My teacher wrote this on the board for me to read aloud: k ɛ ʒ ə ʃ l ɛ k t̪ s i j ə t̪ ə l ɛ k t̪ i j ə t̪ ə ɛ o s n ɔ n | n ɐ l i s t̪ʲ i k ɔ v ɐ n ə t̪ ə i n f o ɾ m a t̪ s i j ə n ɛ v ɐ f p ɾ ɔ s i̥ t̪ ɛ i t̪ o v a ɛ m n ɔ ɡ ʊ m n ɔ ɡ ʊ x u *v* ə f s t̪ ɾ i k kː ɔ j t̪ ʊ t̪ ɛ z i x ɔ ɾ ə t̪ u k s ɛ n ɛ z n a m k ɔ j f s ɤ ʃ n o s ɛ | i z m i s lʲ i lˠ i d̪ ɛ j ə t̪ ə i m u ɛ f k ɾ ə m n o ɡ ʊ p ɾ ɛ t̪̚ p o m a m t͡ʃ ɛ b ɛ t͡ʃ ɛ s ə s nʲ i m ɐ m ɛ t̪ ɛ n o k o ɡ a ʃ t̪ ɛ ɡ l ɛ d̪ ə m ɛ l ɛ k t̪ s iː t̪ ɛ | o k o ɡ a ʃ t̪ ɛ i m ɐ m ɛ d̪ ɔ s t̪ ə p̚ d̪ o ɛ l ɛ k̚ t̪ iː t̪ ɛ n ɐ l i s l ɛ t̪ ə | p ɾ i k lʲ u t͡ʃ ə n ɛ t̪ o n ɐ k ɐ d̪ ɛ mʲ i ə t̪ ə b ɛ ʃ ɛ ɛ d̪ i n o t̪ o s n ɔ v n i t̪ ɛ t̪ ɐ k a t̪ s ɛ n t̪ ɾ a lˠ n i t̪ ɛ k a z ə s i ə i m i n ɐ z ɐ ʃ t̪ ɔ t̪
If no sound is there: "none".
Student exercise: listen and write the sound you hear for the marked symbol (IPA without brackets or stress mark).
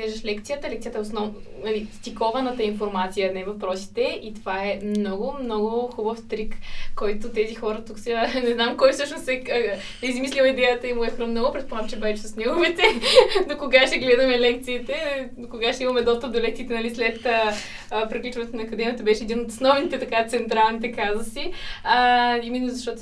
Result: b